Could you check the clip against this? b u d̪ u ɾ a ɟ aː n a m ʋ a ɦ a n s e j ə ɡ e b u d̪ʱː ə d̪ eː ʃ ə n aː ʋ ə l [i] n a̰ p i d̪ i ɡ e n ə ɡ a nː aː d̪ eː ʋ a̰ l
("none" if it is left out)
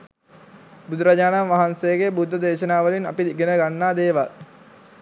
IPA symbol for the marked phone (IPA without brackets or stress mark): i